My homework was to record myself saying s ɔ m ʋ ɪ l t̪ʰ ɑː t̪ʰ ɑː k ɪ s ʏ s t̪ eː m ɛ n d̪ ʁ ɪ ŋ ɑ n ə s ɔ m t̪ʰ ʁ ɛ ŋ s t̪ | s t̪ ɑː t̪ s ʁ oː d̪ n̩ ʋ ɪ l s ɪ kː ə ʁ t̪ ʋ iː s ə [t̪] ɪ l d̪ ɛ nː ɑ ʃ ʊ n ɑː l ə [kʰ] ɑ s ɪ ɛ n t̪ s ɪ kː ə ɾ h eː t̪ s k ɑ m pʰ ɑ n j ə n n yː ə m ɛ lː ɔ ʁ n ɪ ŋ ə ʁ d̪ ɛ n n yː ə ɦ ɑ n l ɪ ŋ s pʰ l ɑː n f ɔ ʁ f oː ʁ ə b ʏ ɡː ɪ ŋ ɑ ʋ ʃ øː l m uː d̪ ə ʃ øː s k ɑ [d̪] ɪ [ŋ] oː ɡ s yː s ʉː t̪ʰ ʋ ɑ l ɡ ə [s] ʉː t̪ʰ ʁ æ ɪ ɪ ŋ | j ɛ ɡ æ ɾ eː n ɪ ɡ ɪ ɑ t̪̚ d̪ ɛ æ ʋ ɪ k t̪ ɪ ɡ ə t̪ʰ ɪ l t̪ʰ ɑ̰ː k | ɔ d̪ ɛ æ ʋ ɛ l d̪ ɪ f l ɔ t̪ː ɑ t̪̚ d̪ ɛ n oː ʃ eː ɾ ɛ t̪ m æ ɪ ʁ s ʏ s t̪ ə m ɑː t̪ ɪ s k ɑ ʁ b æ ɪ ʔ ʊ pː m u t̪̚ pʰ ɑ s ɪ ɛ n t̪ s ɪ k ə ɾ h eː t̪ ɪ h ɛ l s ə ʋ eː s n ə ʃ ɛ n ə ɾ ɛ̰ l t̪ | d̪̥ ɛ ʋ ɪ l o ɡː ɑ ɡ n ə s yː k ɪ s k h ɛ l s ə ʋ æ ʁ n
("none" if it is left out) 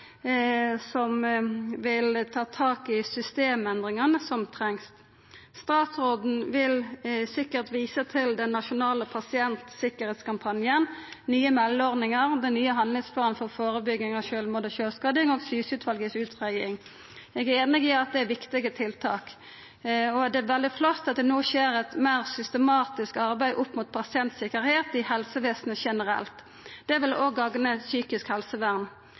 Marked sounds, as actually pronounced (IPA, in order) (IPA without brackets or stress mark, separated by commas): t̪ʰ, pʰ, d̪, ŋ, s